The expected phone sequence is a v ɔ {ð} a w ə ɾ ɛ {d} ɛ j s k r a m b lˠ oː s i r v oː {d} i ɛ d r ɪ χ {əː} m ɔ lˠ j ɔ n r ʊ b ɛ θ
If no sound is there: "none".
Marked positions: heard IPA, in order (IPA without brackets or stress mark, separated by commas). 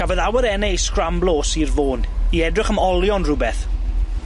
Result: ð, n, n, ə